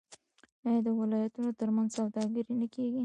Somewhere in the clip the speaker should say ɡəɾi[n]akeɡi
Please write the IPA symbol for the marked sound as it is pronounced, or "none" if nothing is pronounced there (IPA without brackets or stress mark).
n